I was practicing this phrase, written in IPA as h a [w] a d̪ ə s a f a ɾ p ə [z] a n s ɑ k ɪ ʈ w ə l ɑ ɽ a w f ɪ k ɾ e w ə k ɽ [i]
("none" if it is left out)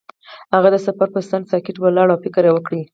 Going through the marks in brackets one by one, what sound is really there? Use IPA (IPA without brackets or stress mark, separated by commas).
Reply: ɣ, s, i